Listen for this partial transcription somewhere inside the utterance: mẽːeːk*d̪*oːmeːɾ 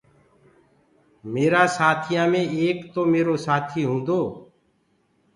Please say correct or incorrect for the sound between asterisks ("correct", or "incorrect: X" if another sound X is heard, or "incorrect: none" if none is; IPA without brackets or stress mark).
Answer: incorrect: t̪